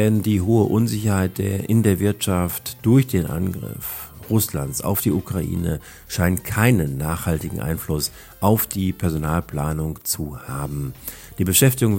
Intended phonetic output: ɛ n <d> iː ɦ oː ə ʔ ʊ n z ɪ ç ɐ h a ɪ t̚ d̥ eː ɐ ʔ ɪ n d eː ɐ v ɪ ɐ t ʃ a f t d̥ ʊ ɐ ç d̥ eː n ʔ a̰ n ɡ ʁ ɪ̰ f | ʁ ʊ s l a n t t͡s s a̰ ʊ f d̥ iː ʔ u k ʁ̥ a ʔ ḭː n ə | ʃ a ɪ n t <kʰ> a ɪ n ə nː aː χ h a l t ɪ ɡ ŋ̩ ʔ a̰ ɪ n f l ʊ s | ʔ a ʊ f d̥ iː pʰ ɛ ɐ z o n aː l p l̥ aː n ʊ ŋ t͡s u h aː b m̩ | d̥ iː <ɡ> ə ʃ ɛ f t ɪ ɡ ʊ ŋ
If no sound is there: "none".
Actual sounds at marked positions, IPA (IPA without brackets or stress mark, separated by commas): d, kʰ, b